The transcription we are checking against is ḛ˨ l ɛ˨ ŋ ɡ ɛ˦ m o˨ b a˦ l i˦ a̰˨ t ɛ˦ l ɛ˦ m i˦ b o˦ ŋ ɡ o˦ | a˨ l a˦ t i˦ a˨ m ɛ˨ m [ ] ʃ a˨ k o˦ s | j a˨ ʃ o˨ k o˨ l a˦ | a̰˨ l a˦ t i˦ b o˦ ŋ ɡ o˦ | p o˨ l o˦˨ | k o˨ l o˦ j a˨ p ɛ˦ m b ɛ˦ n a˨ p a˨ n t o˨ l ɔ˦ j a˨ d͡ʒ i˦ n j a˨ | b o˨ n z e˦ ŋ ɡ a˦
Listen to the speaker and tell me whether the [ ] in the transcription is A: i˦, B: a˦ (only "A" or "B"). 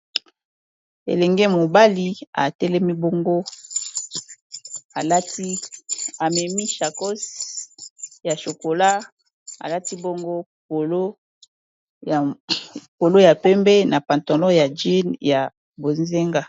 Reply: A